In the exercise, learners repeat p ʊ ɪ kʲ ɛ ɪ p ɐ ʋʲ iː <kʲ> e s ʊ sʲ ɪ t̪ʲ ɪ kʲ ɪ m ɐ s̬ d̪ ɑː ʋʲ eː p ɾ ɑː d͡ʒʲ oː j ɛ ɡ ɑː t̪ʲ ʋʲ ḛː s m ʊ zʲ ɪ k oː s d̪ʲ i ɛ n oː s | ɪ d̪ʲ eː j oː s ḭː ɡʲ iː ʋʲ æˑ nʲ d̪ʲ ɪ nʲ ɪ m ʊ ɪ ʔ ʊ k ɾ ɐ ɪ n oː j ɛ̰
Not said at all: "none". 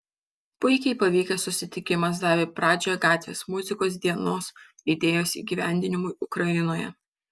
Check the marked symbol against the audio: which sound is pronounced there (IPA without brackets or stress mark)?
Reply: kʲ